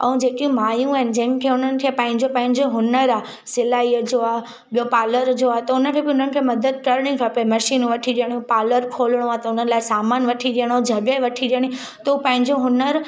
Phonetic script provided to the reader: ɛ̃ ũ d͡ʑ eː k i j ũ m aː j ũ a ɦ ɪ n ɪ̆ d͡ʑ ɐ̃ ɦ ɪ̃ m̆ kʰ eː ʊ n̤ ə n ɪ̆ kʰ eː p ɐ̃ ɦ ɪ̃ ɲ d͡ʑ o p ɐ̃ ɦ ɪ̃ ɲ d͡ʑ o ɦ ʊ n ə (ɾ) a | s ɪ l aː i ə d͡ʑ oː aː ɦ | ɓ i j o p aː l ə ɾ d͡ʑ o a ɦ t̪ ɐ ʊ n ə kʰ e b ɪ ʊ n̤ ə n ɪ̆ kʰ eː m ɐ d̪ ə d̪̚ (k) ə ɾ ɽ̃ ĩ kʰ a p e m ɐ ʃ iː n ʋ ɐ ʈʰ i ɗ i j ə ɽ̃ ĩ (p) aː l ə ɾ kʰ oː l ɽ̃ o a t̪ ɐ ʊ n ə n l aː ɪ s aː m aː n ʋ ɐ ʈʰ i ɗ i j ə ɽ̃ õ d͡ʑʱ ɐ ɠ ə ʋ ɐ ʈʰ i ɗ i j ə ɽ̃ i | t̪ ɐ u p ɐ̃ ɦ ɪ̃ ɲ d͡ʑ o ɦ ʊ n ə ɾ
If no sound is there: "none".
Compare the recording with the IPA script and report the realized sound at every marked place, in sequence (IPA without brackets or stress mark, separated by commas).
ɾ, k, p